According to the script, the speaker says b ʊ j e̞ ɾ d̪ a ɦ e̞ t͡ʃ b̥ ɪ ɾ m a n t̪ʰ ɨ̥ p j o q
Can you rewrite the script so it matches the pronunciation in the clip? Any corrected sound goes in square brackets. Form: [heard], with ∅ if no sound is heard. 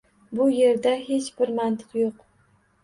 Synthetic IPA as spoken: b ʊ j e̞ ɾ d̪ a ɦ e̞ t͡ʃ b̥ ɪ ɾ m a n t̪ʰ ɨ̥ [q] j o q